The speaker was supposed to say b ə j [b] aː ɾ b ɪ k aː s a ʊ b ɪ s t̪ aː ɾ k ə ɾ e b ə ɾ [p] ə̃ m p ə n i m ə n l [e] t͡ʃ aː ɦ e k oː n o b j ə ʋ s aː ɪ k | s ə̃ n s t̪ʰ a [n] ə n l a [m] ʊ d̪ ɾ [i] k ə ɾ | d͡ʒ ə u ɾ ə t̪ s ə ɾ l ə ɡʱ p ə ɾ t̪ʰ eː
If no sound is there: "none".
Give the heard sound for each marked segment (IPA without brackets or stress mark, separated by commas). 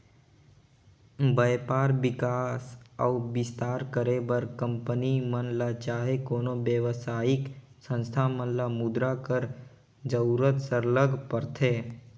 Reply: p, k, a, m, m, a